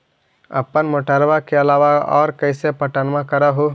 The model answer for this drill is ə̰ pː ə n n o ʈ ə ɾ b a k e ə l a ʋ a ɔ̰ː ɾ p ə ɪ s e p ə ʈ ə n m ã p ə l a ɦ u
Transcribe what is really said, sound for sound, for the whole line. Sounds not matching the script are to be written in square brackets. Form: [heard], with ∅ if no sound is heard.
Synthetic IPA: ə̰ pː ə n [m] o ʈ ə ɾ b a k e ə l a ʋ a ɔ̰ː ɾ [k] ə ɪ s e p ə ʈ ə n m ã [k] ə [ɾ] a ɦ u